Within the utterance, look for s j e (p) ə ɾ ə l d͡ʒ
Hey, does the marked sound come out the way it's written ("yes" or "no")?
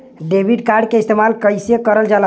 no